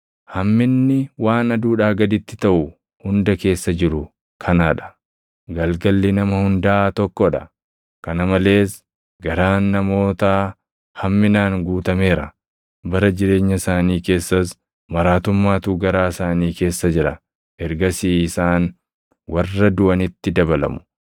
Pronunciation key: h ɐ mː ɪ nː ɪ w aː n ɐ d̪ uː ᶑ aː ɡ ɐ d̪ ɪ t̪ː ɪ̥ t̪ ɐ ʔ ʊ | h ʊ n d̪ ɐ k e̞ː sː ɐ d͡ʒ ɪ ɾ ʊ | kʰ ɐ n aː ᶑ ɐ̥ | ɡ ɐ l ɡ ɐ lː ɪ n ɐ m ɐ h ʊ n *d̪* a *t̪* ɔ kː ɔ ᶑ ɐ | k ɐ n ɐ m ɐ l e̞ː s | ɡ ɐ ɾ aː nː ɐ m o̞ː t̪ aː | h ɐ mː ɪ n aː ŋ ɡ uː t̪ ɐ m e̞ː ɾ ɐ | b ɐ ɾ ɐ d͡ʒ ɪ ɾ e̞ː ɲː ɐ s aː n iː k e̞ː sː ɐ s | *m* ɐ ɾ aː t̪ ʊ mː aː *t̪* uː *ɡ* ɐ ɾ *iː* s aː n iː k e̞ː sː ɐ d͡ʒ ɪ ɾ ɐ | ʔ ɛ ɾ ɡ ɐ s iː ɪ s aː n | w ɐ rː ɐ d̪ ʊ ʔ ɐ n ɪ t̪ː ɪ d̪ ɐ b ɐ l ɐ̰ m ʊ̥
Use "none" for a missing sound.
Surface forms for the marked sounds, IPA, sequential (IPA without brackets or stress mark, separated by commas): d̪, t̪, m, t̪, ɡ, aː